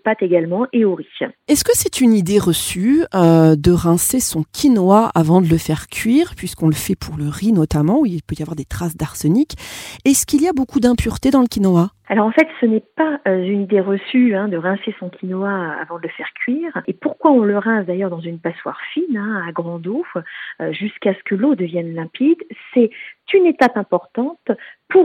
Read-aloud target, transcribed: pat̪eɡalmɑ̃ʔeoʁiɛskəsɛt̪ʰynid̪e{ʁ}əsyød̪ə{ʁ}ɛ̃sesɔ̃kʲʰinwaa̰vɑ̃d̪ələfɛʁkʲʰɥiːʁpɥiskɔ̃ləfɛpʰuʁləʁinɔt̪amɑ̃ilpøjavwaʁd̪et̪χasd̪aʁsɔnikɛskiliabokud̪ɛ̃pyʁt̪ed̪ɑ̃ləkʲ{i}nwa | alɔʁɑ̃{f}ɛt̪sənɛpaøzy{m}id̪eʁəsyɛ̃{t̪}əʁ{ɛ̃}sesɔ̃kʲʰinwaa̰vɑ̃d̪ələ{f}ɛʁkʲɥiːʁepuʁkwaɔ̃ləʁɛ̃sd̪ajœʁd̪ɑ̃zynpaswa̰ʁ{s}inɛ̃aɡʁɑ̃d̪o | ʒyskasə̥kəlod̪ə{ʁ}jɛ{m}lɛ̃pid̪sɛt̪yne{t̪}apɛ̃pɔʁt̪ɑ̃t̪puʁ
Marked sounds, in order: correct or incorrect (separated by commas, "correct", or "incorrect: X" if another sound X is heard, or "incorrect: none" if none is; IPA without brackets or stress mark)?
correct, correct, correct, correct, incorrect: n, incorrect: d̪, correct, correct, incorrect: f, incorrect: v, incorrect: n, correct